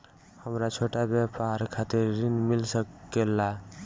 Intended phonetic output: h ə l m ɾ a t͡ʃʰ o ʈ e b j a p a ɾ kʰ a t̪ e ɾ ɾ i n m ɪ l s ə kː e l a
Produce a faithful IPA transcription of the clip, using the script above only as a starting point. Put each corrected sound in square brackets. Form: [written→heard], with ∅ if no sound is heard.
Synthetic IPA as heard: h ə [l→∅] m ɾ a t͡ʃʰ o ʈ [e→a] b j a p a ɾ kʰ a t̪ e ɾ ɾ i n m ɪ l s ə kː e l a